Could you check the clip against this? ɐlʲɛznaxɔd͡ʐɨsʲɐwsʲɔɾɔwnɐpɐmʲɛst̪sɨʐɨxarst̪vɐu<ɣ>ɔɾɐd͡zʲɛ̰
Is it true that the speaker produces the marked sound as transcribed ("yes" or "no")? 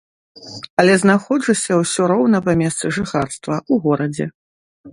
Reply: yes